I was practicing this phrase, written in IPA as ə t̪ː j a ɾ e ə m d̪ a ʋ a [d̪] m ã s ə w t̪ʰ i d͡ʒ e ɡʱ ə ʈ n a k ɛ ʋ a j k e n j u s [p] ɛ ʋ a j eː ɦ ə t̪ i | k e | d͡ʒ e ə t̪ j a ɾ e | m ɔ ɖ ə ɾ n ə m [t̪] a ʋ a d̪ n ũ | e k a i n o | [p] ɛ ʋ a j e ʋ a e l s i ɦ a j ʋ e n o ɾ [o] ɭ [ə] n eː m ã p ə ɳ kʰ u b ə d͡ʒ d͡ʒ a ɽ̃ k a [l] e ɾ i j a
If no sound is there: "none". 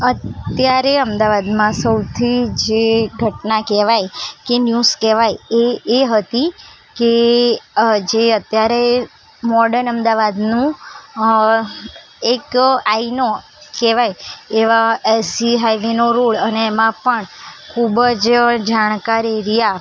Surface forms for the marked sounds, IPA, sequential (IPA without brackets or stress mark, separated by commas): d̪, k, d̪, k, o, ə, ɾ